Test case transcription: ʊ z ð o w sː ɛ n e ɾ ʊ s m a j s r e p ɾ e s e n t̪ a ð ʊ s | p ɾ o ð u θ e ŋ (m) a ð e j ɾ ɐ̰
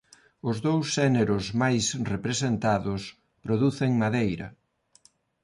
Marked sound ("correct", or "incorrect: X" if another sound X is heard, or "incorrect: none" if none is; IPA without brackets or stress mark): correct